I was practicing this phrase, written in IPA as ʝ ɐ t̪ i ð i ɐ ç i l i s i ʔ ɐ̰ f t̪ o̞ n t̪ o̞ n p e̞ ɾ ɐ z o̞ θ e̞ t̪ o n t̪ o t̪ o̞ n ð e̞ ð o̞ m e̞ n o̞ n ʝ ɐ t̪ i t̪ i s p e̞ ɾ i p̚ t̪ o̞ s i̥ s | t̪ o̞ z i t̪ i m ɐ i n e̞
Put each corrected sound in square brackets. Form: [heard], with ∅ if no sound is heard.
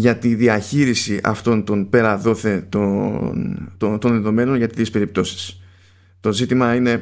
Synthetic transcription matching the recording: ʝ ɐ t̪ i ð i ɐ ç i [ɾ] i s i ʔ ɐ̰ f t̪ o̞ n t̪ o̞ n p e̞ ɾ ɐ [ð] o̞ θ e̞ t̪ o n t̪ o t̪ o̞ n ð e̞ ð o̞ m e̞ n o̞ n ʝ ɐ t̪ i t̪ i s p e̞ ɾ i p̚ t̪ o̞ s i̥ s | t̪ o̞ z i t̪ i m ɐ i n e̞